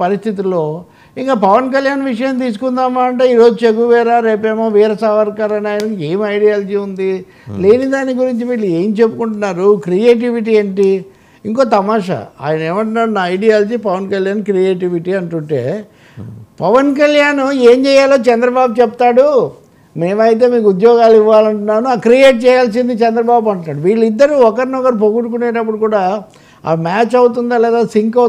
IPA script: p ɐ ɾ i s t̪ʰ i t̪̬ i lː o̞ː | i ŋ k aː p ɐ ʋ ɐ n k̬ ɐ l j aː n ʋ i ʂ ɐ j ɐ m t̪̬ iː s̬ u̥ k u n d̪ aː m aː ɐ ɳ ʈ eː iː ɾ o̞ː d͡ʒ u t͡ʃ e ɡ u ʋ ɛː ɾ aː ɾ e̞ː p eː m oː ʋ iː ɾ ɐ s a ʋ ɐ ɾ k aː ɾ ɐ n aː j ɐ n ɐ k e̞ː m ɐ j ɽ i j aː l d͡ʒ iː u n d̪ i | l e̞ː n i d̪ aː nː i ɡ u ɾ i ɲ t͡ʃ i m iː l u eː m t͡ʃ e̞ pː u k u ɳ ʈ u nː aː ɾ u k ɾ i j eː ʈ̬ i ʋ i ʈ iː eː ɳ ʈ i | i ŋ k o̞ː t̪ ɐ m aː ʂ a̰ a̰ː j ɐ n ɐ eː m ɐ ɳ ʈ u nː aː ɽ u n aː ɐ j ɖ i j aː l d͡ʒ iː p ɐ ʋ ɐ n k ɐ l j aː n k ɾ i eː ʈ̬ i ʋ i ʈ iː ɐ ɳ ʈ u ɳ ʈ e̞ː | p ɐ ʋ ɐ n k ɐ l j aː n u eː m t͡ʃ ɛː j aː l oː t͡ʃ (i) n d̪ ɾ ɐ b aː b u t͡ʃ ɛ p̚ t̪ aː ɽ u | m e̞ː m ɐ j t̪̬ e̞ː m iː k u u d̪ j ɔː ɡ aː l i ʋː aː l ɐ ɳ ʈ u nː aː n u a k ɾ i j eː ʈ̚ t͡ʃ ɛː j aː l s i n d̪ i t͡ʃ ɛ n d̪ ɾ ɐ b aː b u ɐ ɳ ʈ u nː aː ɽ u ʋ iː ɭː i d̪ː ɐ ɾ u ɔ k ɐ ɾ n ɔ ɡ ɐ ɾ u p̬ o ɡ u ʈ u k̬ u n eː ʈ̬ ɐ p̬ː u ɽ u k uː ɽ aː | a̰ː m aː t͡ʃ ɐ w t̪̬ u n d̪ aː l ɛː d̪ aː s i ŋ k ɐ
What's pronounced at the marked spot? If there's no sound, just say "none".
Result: ɛ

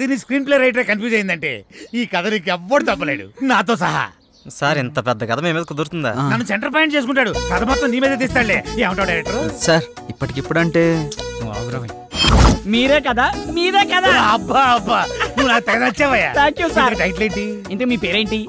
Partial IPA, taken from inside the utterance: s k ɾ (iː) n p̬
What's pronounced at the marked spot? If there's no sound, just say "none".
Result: iː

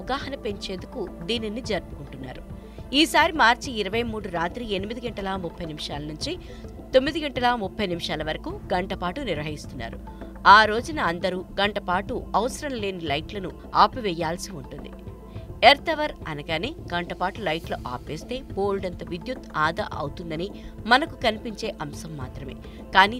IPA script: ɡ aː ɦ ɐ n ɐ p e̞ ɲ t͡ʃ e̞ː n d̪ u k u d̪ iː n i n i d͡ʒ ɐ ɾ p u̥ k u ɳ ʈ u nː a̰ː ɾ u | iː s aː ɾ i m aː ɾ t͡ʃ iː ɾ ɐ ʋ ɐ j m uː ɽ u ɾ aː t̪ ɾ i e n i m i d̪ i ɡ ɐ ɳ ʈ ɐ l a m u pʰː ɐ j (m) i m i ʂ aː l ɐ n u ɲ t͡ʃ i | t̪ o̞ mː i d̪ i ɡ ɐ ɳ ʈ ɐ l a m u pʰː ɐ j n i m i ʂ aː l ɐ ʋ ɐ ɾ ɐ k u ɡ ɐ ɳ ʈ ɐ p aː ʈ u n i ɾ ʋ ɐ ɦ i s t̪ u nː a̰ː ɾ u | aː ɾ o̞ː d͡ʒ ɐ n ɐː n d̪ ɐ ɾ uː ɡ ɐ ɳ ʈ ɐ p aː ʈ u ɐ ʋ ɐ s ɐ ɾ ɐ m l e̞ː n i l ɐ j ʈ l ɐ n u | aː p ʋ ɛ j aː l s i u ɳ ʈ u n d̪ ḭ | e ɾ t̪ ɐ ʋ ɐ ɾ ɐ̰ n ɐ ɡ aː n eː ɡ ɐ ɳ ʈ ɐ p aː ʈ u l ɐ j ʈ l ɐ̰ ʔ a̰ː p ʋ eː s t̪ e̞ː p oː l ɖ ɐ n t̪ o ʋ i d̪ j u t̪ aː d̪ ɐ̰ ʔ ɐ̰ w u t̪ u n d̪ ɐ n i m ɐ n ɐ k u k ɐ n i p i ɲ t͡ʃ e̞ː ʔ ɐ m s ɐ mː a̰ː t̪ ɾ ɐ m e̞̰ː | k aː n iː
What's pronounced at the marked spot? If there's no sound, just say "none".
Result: n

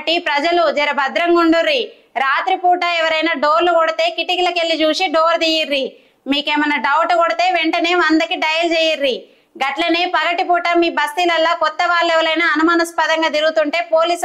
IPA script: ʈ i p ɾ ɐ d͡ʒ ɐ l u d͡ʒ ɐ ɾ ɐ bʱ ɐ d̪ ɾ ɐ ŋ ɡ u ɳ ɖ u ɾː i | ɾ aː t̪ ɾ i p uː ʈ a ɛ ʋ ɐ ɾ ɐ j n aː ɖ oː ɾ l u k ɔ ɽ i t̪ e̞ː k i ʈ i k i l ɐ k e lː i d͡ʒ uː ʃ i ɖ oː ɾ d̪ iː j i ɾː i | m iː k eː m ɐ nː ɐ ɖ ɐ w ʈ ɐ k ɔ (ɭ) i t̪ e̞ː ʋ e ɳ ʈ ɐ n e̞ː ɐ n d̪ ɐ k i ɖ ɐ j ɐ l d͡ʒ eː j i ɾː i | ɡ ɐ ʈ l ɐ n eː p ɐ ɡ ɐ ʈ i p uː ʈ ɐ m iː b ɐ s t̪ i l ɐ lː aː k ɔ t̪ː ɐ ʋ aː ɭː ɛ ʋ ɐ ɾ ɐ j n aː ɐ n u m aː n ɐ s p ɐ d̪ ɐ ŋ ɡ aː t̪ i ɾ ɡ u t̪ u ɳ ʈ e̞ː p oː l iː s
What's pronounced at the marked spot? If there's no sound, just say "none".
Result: ɽ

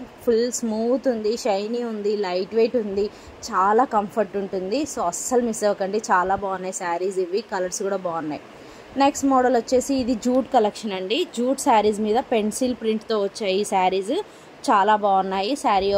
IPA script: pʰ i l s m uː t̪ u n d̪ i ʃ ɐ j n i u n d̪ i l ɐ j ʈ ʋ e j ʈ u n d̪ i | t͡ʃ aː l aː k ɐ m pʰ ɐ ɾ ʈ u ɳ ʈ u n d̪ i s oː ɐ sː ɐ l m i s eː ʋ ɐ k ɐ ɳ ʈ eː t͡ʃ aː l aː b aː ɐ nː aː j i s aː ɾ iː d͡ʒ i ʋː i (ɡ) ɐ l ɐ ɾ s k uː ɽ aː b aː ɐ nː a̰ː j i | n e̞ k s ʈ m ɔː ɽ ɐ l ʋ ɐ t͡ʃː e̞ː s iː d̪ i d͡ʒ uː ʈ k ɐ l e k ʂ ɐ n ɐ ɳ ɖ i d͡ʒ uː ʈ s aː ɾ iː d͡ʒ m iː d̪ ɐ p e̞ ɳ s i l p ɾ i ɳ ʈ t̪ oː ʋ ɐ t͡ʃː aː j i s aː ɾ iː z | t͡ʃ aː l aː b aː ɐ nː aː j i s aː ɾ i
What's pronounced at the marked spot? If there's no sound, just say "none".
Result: k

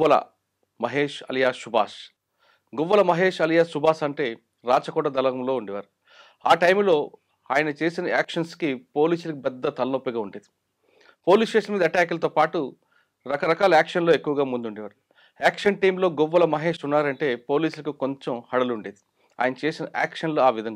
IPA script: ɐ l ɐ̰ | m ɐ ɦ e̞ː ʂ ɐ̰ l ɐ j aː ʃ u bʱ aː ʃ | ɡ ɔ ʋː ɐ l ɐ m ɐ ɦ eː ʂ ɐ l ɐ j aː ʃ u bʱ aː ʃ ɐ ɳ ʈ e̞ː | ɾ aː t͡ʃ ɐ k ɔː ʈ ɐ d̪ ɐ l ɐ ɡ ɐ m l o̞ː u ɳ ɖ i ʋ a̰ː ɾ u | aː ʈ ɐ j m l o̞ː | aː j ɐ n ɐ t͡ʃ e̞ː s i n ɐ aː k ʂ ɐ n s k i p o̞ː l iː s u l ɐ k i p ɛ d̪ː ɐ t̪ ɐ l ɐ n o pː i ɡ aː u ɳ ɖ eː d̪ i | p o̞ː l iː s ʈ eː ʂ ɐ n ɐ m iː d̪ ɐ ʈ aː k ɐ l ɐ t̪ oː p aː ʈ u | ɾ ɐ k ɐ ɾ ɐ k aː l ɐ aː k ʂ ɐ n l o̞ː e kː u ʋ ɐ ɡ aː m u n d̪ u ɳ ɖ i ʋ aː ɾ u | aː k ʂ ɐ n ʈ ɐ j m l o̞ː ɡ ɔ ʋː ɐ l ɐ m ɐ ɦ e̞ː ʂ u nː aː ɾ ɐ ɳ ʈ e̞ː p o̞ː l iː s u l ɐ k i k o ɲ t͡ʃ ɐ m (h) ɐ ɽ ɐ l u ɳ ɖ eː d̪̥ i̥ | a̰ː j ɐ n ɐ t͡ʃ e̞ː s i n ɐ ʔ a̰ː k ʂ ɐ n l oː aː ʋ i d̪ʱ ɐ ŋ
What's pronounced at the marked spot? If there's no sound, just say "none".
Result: h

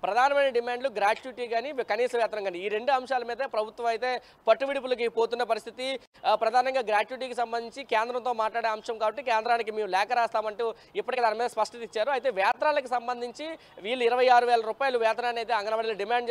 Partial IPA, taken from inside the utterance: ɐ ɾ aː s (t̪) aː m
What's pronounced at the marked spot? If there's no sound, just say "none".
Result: t̪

